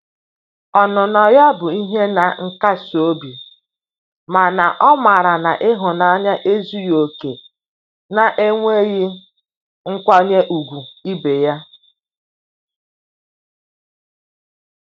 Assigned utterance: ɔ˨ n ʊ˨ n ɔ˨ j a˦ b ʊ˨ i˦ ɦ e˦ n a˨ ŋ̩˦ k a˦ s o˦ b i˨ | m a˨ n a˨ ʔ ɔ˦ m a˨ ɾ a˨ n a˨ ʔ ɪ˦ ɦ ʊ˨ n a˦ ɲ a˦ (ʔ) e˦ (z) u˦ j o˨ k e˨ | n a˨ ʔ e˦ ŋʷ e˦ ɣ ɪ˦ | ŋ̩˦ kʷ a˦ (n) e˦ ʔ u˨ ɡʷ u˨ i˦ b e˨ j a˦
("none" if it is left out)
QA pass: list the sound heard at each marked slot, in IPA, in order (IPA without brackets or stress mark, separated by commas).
ʔ, z, ɲ